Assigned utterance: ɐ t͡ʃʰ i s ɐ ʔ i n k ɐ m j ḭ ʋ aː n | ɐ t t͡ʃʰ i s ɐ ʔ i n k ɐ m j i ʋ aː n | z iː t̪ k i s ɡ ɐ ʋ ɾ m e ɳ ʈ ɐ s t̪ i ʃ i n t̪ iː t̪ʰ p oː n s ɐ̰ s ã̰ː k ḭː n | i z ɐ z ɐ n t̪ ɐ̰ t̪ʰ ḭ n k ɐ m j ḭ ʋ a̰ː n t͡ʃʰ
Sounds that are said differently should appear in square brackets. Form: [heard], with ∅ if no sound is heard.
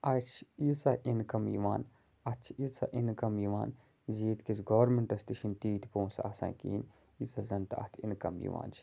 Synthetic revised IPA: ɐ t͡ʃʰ i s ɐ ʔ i n k ɐ m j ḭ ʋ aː n | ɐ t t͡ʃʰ i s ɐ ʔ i n k ɐ m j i ʋ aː n | z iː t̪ k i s ɡ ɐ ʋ ɾ m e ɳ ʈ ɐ s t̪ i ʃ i n t̪ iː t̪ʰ p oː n s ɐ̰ s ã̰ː k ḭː n | i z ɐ z ɐ n t̪ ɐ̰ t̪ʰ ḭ n k ɐ m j ḭ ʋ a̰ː n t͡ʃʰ